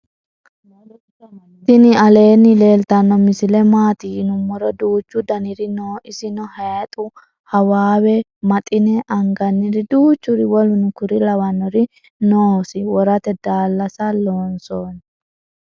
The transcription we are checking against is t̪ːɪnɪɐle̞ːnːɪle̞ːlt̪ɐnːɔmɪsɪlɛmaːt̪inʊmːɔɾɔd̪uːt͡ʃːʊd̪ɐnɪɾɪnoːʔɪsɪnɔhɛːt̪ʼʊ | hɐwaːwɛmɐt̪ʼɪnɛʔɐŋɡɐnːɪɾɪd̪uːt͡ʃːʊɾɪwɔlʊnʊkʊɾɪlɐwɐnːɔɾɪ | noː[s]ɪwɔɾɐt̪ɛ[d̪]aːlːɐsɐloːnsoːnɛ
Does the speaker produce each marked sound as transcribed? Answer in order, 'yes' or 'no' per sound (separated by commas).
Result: yes, yes